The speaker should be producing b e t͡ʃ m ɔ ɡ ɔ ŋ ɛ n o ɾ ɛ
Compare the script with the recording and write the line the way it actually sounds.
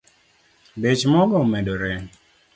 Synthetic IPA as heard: b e t͡ʃ m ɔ ɡ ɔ m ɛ d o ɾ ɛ